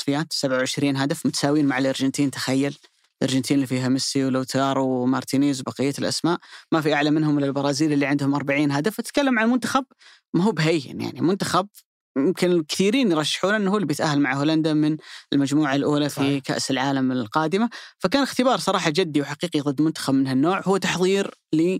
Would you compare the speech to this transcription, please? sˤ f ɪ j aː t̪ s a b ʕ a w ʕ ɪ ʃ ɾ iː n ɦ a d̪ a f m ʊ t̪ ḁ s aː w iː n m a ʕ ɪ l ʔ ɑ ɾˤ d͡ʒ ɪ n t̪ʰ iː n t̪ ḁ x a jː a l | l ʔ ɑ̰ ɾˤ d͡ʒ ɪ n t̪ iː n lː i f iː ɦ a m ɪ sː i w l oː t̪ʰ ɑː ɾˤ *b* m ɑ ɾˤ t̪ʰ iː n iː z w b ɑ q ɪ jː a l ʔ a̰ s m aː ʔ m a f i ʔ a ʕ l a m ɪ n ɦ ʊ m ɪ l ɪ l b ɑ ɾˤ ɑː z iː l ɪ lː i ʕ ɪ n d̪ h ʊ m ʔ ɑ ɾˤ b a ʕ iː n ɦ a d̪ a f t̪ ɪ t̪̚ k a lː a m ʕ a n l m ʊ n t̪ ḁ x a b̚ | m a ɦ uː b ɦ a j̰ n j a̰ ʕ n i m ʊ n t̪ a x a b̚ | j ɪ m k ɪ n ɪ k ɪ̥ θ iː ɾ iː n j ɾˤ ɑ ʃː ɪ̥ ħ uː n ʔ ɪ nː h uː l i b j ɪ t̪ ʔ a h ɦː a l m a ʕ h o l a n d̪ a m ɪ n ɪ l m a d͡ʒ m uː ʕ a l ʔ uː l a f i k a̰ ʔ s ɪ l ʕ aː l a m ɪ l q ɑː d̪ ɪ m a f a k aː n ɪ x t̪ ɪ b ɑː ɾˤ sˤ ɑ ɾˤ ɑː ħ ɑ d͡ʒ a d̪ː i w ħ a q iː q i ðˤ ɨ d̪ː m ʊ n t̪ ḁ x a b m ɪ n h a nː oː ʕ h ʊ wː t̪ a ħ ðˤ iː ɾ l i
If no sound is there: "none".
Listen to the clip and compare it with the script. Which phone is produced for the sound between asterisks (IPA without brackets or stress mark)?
w